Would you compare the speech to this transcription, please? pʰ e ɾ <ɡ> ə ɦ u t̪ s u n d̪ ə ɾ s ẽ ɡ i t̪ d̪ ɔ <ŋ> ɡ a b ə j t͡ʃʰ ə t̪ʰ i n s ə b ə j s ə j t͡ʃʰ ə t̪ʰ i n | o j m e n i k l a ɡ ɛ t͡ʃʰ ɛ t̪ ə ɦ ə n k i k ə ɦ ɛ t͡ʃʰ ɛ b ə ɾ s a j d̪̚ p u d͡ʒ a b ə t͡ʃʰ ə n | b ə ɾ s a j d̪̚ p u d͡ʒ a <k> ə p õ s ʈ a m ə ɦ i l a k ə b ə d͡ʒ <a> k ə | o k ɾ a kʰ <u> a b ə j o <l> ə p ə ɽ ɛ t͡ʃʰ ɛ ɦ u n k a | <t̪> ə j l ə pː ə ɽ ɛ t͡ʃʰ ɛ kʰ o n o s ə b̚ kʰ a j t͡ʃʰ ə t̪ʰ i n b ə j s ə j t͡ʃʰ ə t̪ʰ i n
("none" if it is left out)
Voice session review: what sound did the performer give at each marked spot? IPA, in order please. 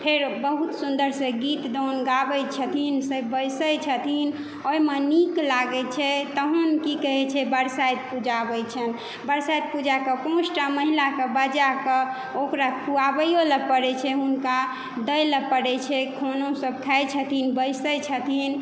b, n, k, a, u, l, d̪

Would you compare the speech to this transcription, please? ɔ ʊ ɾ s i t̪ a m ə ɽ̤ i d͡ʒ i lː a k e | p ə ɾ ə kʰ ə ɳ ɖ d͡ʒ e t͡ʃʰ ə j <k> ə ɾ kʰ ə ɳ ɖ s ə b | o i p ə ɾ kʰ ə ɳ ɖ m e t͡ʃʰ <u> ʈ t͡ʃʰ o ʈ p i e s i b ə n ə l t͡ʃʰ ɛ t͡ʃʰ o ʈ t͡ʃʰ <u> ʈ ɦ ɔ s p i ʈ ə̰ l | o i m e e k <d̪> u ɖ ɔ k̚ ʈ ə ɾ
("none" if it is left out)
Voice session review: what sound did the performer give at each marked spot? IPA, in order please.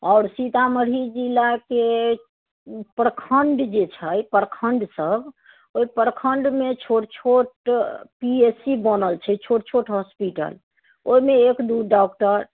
p, o, o, d̪

